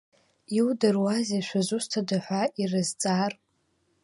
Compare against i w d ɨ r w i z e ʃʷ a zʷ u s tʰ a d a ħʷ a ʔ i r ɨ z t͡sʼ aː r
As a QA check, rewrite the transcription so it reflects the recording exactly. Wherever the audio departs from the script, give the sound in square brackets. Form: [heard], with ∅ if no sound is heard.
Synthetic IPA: i w d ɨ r w [a] z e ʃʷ a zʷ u s tʰ a d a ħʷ a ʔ i r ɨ z t͡sʼ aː r